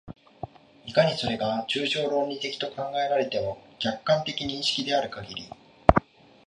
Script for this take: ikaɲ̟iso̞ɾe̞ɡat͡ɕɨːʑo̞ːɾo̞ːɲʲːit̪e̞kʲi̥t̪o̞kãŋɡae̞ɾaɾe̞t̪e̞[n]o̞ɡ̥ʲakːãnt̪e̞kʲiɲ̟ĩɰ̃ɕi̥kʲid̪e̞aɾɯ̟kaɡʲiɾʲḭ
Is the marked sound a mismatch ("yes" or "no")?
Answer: yes